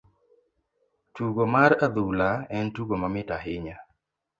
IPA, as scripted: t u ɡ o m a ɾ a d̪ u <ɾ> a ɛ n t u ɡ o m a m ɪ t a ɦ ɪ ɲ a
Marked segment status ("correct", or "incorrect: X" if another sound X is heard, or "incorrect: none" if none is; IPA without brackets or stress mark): incorrect: l